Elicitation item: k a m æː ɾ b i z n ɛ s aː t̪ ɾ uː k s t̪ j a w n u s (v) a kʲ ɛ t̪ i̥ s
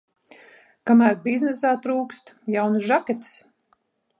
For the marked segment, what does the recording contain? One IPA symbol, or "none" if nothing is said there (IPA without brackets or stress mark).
ʒ